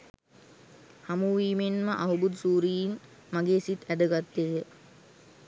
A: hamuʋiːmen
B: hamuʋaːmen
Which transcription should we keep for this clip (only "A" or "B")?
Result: A